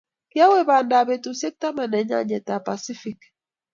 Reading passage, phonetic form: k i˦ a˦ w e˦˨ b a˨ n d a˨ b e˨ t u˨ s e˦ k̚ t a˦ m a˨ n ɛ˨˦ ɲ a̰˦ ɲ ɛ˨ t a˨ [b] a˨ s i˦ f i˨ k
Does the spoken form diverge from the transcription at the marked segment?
yes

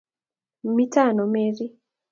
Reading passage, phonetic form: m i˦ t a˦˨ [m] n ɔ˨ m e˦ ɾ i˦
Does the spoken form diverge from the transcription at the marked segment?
yes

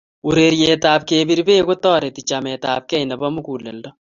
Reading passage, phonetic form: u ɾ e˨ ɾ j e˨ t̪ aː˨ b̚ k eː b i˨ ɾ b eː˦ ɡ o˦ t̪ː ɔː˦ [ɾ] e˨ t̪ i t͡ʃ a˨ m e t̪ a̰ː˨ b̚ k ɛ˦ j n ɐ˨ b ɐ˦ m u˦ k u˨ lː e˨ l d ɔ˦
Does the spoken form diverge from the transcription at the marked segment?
no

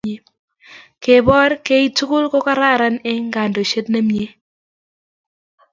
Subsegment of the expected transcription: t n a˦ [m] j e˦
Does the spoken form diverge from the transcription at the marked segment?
no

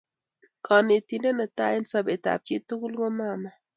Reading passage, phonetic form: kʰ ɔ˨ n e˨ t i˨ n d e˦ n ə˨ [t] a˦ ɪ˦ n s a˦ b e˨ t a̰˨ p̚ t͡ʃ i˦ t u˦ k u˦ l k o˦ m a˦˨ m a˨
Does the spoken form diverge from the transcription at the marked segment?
no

